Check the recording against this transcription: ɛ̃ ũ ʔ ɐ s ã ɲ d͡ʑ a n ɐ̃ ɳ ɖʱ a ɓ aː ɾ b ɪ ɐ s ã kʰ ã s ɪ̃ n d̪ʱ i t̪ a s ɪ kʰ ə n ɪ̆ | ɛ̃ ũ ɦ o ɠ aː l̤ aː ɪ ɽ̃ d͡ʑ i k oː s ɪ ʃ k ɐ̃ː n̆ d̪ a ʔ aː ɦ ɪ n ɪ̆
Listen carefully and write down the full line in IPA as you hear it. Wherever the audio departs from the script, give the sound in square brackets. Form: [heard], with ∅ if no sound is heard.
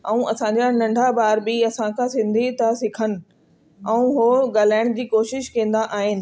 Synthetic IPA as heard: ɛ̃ ũ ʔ ɐ s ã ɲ d͡ʑ a n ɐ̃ ɳ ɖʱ a [b] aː ɾ b ɪ ɐ s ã kʰ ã s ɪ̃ n d̪ʱ i t̪ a s ɪ kʰ ə n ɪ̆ | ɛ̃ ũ ɦ o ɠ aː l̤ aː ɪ ɽ̃ d͡ʑ [iː] k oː [ʃ] ɪ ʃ k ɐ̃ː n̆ d̪ a ʔ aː ɦ ɪ n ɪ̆